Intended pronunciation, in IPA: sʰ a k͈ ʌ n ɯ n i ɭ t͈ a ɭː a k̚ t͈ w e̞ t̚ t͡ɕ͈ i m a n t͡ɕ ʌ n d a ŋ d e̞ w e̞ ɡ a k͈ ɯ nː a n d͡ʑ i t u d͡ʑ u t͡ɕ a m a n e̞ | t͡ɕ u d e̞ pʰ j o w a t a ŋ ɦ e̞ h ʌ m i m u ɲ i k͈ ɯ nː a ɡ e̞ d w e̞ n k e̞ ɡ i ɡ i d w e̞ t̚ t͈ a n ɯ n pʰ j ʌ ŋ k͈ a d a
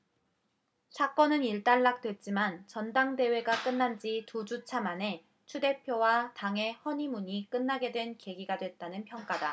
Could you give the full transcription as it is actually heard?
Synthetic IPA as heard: sʰ a k͈ ʌ n ɯ n i ɭ t͈ a ɭː a k̚ t͈ w e̞ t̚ t͡ɕ͈ i m a n t͡ɕ ʌ n d a ŋ d e̞ w e̞ ɡ a k͈ ɯ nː a n d͡ʑ i t u d͡ʑ u t͡ɕʰ a m a n e̞ | t͡ɕʰ u d e̞ pʰ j o w a t a ŋ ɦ e̞ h ʌ ɲ i m u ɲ i k͈ ɯ nː a ɡ e̞ d w e̞ n k e̞ ɡ i ɡ a d w e̞ t̚ t͈ a n ɯ n pʰ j ʌ ŋ k͈ a d a